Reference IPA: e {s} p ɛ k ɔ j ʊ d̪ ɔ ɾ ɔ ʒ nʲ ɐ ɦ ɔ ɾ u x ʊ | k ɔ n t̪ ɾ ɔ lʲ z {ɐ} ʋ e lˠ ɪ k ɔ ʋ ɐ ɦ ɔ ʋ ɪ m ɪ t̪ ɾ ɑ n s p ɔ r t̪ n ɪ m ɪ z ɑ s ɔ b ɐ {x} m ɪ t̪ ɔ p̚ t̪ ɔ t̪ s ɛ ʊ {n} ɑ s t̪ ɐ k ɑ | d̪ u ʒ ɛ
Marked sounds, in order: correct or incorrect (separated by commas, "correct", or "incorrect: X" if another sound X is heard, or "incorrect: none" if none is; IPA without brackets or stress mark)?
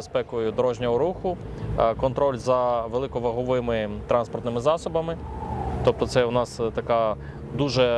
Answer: correct, correct, incorrect: none, correct